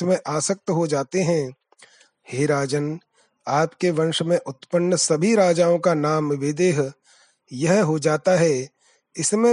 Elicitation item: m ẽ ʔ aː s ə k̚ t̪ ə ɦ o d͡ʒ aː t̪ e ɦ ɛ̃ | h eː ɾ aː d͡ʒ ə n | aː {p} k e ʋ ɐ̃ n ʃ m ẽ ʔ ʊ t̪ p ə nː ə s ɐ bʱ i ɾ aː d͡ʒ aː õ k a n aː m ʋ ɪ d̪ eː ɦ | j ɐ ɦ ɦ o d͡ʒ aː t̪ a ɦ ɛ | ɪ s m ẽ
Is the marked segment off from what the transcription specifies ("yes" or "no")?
no